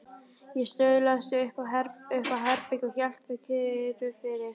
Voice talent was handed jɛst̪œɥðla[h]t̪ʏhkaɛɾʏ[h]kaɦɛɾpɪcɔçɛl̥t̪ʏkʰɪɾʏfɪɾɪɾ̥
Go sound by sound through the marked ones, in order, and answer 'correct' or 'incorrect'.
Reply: incorrect, correct

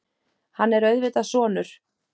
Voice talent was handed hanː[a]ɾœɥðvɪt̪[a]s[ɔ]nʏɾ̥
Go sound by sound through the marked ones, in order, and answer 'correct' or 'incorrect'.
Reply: incorrect, correct, incorrect

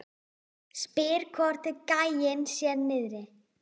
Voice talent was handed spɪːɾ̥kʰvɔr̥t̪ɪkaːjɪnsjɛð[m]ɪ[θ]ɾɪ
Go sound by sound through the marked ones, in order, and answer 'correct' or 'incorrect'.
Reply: incorrect, incorrect

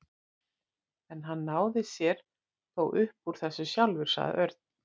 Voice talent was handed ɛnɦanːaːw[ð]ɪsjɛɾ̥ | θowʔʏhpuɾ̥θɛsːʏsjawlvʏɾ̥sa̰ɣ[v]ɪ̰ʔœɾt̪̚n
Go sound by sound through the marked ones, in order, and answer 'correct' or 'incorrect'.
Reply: correct, incorrect

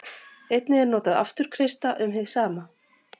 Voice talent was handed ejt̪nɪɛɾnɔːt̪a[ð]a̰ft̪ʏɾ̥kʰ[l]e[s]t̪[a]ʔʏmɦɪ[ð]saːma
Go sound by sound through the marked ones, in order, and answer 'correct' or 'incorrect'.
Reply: correct, incorrect, correct, correct, correct

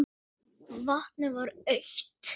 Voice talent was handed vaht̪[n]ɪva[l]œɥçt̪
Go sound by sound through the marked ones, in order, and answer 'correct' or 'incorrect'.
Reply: correct, incorrect

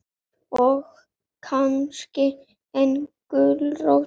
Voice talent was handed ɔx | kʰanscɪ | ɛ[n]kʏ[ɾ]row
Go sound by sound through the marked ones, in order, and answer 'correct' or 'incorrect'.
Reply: correct, incorrect

